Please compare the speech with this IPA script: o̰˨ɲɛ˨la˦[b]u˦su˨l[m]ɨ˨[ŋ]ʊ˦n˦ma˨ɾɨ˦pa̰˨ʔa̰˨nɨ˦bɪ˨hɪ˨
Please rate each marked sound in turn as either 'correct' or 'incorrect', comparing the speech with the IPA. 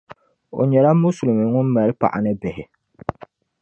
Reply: incorrect, correct, correct

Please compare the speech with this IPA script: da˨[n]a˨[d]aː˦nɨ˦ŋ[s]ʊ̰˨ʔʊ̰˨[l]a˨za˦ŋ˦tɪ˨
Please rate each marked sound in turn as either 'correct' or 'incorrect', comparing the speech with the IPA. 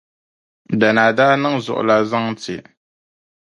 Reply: correct, correct, incorrect, correct

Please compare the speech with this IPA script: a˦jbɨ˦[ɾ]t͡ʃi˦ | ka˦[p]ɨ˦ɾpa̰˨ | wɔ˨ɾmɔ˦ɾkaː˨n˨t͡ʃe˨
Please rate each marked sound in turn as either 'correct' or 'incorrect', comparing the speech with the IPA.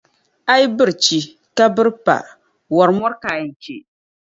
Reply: correct, incorrect

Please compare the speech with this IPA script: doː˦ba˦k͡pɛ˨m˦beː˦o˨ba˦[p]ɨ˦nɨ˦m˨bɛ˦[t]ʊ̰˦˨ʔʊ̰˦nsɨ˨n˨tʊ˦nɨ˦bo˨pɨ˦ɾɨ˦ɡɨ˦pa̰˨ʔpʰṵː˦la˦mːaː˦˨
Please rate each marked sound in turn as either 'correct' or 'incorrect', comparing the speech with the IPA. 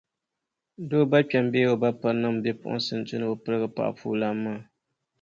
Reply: correct, incorrect

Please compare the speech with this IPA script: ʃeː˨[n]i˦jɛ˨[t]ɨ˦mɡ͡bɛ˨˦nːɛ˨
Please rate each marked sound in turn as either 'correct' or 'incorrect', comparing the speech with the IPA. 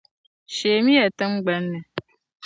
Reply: incorrect, correct

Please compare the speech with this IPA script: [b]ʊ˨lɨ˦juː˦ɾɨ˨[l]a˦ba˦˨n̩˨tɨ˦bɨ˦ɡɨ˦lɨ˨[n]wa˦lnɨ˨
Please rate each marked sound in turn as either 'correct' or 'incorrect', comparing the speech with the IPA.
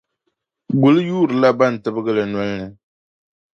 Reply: incorrect, correct, correct

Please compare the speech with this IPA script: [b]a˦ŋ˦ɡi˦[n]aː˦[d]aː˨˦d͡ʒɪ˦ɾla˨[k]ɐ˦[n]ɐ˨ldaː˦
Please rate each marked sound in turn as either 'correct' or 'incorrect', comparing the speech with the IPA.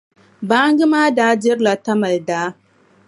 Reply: correct, incorrect, correct, incorrect, incorrect

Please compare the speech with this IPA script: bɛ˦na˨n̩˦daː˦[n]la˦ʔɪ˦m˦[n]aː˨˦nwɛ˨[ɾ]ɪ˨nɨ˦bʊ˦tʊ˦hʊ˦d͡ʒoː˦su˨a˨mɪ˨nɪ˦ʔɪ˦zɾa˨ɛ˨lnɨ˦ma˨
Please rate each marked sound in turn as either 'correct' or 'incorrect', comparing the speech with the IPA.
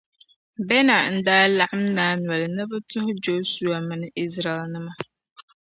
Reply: incorrect, correct, incorrect

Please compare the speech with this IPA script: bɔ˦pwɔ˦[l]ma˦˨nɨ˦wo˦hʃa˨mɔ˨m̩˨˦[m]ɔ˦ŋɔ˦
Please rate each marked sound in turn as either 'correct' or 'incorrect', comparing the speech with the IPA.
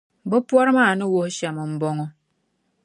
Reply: incorrect, incorrect

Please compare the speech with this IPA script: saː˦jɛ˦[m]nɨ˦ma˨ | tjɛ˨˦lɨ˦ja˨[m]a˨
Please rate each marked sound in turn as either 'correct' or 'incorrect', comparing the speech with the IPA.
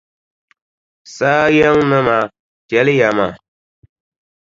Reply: incorrect, correct

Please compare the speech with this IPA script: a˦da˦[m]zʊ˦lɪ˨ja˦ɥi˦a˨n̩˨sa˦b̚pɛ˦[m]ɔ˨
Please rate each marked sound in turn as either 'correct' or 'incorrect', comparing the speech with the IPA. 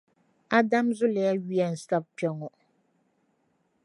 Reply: correct, incorrect

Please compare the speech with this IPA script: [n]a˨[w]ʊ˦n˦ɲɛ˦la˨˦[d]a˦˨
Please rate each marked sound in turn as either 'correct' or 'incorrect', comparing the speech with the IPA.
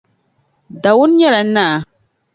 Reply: incorrect, correct, incorrect

